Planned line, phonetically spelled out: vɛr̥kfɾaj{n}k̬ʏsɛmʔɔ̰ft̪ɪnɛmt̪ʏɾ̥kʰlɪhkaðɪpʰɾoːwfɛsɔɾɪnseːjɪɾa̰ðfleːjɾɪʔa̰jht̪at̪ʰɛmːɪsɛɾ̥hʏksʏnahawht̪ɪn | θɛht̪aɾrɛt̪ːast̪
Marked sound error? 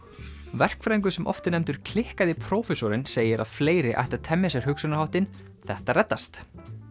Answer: yes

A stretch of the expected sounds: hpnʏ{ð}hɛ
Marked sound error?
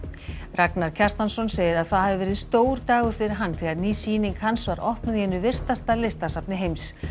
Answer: no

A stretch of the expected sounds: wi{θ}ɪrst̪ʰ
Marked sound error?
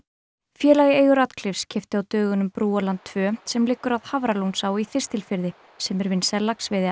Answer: no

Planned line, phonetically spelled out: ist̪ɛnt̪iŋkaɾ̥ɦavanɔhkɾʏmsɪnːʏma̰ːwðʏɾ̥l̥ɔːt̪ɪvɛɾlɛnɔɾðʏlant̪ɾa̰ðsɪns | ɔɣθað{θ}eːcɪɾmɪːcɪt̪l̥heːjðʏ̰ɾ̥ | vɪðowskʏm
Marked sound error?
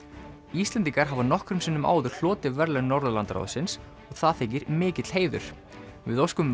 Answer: no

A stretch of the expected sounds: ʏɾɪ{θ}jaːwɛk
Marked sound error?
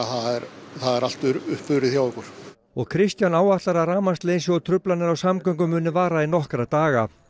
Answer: no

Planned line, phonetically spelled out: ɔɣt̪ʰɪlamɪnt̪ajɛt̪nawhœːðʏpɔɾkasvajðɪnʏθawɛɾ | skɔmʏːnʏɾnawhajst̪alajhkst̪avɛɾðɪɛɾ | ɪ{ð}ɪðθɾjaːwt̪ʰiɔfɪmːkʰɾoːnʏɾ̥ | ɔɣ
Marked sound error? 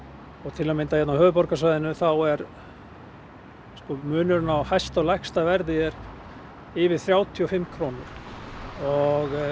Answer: yes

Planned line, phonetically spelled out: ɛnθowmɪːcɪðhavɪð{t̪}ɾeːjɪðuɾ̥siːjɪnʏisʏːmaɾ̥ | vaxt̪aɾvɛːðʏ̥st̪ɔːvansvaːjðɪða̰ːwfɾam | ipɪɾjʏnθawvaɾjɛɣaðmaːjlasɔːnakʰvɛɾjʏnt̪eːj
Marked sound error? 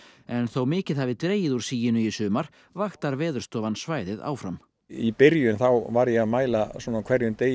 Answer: no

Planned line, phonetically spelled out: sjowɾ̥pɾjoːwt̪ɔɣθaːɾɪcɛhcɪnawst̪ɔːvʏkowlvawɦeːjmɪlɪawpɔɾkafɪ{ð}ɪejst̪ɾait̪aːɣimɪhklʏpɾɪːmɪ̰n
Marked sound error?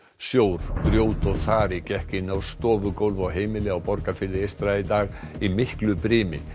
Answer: no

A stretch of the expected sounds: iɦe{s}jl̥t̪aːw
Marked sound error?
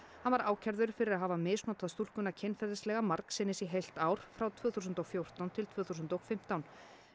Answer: yes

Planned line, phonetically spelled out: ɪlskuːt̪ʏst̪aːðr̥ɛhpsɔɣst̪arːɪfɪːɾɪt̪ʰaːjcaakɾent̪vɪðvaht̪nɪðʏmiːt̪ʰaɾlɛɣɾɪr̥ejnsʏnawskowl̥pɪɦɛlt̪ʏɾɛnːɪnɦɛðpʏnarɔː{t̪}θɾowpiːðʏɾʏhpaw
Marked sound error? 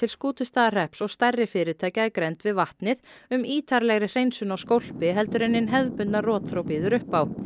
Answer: no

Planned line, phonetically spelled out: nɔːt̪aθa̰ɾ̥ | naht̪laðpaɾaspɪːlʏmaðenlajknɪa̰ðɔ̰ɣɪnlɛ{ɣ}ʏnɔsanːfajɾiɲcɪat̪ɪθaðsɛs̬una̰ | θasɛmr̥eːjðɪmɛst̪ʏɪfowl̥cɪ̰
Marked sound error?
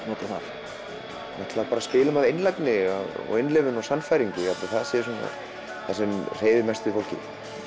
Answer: yes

